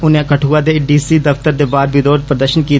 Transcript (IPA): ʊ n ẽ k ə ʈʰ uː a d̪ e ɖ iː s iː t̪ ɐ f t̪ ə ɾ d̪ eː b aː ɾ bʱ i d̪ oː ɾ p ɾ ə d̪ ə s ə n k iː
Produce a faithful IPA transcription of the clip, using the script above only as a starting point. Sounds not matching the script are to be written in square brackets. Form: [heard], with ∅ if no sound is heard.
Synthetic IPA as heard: ʊ n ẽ k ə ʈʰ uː a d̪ e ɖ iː s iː [d̪] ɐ f t̪ ə ɾ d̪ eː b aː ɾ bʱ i d̪ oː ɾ p ɾ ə d̪ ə [ʃ] ə n k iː